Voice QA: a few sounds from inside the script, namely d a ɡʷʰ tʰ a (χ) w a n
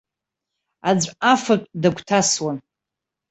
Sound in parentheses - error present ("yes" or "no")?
yes